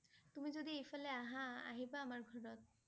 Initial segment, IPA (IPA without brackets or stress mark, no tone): t̪